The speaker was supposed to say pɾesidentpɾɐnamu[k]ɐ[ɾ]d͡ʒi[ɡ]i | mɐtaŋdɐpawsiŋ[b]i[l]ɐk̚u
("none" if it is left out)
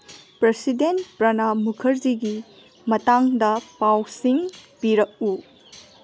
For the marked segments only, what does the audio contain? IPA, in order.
kʰ, ɾ, ɡ, p, ɾ

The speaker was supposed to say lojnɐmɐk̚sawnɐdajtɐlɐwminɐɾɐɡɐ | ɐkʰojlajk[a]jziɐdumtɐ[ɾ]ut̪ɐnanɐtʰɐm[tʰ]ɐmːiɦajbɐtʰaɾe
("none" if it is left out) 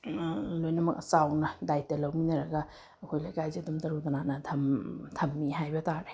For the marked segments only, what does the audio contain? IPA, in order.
a, ɾ, tʰ

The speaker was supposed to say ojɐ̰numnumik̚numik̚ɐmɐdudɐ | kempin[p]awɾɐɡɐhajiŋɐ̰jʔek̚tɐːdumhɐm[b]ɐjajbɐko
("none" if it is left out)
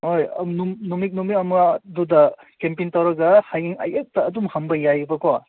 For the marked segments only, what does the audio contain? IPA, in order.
t, b

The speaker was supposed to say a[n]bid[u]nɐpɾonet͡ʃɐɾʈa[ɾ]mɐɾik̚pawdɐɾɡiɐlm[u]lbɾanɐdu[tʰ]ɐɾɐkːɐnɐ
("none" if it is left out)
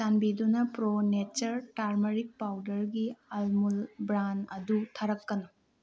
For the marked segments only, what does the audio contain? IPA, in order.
n, u, ɾ, u, tʰ

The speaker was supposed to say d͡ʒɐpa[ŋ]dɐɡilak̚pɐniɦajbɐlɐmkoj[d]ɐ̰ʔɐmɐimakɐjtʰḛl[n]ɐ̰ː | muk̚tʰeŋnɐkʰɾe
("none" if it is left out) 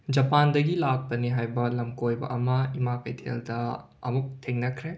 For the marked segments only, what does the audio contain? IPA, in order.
n, b, d

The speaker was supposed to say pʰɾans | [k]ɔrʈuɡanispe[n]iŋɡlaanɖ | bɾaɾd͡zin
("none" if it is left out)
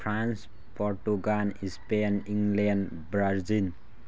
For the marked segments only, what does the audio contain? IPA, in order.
p, n

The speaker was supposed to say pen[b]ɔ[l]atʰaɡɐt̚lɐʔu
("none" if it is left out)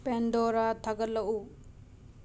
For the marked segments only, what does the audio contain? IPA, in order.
d, ɾ

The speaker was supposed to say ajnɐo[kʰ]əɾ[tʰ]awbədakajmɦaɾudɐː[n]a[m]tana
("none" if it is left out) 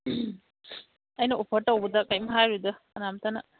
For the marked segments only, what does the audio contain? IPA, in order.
pʰ, t, n, m

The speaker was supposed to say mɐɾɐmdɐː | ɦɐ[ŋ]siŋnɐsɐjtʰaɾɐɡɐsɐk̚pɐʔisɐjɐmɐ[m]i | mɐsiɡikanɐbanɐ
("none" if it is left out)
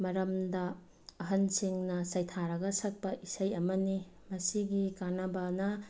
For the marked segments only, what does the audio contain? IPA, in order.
n, n

